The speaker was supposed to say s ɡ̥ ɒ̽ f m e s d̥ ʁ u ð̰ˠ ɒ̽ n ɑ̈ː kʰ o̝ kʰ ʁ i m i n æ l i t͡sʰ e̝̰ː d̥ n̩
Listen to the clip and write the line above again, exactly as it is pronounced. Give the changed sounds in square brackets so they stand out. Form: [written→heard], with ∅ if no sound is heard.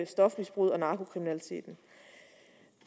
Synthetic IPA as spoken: s [ɡ̥→d̥] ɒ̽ f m [e→i] s [d̥→b̥] ʁ u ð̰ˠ ɒ̽ n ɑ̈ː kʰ o̝ kʰ ʁ i m i n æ l i t͡sʰ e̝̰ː d̥ n̩

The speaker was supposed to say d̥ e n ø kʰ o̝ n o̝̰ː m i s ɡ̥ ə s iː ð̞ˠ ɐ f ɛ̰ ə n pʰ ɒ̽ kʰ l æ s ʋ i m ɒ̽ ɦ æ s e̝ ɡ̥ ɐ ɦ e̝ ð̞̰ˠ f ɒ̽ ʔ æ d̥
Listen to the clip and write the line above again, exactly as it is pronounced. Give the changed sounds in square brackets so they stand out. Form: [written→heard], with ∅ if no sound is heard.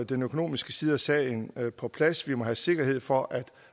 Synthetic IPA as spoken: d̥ e n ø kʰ o̝ n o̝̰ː m i s ɡ̥ ə s iː ð̞ˠ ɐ [f→s] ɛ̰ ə n pʰ ɒ̽ [kʰ→pʰ] l æ s ʋ i m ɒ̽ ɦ æ s e̝ ɡ̥ ɐ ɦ e̝ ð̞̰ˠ f ɒ̽ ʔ æ d̥

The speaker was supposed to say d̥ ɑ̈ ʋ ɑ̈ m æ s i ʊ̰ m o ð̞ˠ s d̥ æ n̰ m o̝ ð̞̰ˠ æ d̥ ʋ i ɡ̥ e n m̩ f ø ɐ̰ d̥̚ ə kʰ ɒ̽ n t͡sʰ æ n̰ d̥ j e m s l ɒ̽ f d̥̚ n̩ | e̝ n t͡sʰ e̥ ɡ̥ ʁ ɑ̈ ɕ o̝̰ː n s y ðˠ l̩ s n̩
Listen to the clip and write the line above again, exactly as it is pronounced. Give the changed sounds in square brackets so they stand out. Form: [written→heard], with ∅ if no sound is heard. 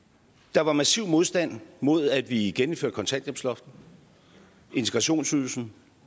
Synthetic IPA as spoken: d̥ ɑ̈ ʋ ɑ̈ m æ s i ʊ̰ m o ð̞ˠ s d̥ æ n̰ m o̝ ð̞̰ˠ æ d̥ ʋ i ɡ̥ e n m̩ f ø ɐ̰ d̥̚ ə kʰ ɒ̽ n t͡sʰ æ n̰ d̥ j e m s l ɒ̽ f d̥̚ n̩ | e̝ n t͡sʰ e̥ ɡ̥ ʁ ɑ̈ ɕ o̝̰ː n s y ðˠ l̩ s n̩

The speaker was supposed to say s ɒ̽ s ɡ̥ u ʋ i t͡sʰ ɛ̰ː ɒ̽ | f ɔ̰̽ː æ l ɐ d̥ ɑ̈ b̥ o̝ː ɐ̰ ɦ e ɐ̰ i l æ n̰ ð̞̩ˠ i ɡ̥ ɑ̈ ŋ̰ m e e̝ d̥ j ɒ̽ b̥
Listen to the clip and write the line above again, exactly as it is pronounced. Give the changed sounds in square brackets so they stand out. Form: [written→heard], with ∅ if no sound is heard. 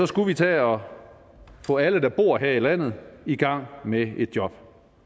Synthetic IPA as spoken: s ɒ̽ s ɡ̥ u ʋ i t͡sʰ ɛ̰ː ɒ̽ | f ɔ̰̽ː æ l [ɐ→ə] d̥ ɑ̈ b̥ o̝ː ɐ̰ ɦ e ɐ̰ i l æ n̰ ð̞̩ˠ i ɡ̥ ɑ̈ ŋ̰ m e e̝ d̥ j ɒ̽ b̥

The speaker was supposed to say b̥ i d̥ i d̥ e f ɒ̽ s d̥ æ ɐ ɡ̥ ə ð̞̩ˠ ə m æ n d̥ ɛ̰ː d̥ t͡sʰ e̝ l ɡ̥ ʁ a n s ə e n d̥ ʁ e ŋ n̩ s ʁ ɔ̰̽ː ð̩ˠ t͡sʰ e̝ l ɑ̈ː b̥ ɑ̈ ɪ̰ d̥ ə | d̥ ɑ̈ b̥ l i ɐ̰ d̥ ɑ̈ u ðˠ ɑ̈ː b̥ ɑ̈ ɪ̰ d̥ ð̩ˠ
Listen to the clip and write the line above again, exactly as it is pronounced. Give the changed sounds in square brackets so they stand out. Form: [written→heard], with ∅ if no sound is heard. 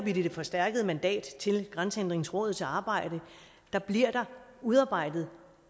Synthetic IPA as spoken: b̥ i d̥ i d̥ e f ɒ̽ s d̥ æ ɐ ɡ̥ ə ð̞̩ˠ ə m æ n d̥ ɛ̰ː d̥ t͡sʰ e̝ l ɡ̥ ʁ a n s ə e n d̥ ʁ e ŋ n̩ s ʁ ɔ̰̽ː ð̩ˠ t͡sʰ e̝ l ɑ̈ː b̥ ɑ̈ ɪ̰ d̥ ə | d̥ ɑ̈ b̥ l i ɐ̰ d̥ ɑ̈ u ðˠ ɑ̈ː b̥ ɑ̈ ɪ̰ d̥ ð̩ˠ

